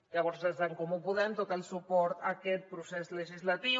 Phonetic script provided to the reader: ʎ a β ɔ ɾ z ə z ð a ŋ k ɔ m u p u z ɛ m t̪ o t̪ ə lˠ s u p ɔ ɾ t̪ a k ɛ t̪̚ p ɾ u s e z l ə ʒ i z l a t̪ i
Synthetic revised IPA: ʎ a β ɔ ɾ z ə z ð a ŋ k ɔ m u p u ð ɛ m t̪ o t̪ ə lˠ s u p ɔ ɾ t̪ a k ɛ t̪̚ p ɾ u s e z l ə ʒ i z l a t̪ i